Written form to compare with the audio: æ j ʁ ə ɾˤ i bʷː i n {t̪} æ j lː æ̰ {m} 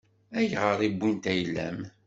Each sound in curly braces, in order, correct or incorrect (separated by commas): correct, correct